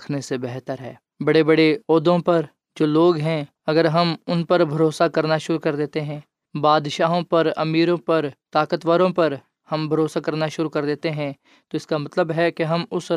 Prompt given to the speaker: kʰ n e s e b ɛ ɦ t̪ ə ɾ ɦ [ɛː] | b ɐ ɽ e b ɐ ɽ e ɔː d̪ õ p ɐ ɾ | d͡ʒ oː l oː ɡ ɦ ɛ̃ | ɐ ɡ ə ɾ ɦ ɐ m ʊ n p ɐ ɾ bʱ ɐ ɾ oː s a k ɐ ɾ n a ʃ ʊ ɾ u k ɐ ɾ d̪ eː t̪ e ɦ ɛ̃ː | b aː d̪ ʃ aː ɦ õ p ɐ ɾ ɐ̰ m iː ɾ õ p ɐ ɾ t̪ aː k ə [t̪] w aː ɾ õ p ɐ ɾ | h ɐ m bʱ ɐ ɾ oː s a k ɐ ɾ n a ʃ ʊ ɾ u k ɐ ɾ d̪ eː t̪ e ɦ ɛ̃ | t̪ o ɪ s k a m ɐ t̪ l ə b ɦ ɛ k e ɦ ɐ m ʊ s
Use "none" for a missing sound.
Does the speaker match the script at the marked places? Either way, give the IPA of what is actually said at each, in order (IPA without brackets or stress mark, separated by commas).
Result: ɛː, t̪